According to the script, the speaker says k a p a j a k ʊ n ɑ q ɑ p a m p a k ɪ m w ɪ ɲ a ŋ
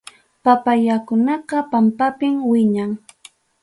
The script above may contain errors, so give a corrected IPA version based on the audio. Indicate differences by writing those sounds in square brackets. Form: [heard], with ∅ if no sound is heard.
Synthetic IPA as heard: [p] a p a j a k ʊ n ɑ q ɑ p a m p a [p] ɪ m w ɪ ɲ a ŋ